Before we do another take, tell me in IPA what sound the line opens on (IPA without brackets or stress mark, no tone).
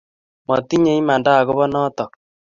m